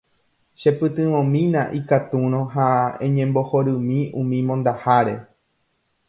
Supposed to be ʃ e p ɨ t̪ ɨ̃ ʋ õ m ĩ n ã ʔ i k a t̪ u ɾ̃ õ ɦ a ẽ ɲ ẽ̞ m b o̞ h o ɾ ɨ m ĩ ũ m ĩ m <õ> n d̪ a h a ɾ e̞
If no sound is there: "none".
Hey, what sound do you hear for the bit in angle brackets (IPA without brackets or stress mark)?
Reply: õ